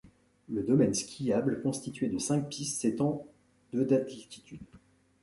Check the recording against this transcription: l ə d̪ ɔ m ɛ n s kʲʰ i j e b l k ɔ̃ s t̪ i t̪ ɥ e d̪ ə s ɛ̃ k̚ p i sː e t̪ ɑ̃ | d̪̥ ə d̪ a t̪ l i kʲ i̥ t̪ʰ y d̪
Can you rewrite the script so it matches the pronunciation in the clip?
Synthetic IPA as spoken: l ə d̪ ɔ m ɛ n s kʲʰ i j a b l k ɔ̃ s t̪ i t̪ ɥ e d̪ ə s ɛ̃ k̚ p i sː e t̪ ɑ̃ | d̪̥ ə d̪ a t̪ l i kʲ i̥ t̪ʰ y d̪